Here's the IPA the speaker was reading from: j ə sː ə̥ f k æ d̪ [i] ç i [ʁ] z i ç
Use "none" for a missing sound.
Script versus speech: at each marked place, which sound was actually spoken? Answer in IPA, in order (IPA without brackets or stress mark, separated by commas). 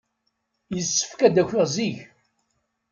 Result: æ, ʁ